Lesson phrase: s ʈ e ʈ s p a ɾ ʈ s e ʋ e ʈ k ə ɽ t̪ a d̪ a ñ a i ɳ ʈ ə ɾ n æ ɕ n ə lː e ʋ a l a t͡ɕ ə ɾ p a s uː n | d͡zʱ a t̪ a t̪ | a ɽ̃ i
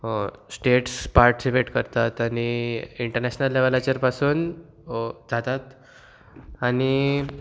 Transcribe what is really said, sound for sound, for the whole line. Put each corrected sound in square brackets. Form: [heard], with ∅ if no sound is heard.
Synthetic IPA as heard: s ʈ e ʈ s p a ɾ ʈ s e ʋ e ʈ k ə [ɾ] t̪ a [t̪] a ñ [i] i ɳ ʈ ə ɾ n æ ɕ n ə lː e ʋ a l a t͡ɕ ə ɾ p a s uː n | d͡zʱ a t̪ a t̪ | a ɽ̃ i